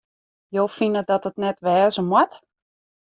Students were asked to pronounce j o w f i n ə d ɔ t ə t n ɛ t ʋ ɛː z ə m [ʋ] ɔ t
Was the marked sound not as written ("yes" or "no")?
yes